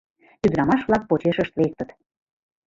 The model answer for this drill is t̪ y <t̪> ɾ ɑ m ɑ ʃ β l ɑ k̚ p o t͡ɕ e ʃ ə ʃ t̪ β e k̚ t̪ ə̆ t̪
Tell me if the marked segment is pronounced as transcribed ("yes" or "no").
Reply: no